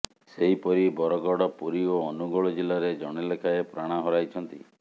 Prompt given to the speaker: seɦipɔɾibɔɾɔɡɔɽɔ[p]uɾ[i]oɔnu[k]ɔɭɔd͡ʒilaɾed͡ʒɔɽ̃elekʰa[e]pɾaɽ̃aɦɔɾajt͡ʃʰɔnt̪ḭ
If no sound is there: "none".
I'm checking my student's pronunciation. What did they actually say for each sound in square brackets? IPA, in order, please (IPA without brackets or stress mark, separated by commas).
p, i, ɡ, e